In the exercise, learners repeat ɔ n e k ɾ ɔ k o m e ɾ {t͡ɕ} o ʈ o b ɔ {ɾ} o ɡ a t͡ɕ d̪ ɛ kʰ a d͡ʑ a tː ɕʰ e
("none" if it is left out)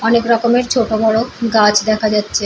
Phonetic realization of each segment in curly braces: t͡ɕʰ, ɽ

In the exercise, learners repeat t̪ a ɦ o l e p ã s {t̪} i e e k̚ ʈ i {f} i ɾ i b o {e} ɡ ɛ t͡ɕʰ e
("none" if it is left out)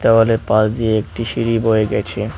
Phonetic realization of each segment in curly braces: d̪, ʃ, e

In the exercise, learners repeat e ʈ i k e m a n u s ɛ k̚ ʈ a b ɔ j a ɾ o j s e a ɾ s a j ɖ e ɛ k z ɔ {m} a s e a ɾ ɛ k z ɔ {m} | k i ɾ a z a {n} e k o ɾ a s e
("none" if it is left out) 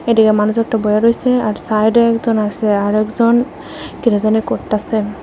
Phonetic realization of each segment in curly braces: n, n, n

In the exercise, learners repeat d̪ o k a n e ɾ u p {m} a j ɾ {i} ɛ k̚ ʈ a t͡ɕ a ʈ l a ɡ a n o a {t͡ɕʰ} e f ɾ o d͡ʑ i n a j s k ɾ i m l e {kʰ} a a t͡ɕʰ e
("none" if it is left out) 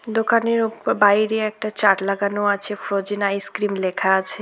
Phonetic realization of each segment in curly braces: b, e, t͡ɕʰ, kʰ

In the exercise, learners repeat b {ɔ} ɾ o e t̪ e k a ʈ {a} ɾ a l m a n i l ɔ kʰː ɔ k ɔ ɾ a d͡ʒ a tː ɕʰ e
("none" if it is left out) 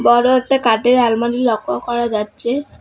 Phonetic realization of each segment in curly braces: ɔ, e

